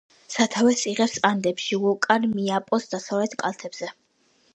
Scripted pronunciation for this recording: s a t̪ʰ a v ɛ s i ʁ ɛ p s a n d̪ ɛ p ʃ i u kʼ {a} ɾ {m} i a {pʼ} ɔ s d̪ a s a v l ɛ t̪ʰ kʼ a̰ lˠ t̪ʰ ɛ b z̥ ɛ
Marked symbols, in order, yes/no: yes, yes, yes

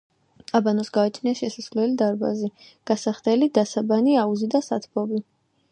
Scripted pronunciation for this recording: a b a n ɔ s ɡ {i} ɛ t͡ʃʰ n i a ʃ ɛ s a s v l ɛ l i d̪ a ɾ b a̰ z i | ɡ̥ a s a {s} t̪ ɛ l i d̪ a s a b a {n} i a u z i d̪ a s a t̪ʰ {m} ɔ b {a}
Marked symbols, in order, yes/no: no, no, yes, no, no

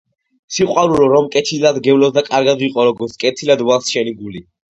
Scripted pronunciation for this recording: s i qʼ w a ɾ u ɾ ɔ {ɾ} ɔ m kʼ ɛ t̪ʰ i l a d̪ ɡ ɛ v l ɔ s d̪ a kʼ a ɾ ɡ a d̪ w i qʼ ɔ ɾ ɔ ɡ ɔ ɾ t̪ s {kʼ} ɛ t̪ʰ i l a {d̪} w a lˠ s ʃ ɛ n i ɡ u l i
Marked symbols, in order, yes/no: yes, yes, yes

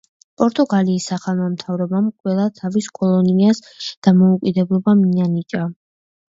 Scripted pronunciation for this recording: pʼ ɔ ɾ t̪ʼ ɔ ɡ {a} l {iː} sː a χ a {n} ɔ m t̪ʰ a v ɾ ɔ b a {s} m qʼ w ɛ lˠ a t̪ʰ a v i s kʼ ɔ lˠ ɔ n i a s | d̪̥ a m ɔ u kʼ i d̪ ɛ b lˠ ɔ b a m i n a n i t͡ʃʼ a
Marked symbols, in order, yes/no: yes, yes, yes, no

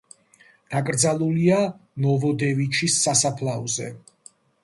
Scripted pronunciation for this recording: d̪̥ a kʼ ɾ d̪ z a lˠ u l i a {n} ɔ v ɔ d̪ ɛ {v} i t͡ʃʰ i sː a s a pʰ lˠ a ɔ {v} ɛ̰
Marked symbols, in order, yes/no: yes, yes, no

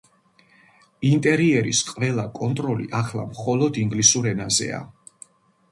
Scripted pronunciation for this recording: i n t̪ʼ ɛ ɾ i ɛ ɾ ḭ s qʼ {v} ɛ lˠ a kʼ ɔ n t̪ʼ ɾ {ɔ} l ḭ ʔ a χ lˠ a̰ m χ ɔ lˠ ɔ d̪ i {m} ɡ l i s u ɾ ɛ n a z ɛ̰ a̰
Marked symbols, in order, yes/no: yes, yes, no

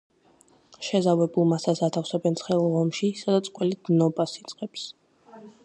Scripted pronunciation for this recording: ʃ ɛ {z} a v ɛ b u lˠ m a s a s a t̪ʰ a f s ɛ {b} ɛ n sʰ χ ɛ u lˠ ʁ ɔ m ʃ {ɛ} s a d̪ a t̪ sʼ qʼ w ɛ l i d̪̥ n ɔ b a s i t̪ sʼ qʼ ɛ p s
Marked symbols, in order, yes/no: yes, yes, no

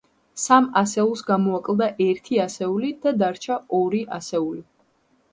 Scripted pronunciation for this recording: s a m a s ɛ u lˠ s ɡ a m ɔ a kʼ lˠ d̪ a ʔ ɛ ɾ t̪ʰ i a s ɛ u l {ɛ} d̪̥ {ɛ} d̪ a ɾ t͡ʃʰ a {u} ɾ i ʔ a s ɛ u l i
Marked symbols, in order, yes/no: no, no, no

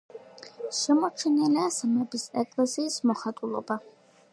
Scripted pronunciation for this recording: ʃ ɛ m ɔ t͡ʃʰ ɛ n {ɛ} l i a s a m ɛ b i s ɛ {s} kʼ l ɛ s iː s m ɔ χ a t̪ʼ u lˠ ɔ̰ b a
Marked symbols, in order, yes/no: yes, no

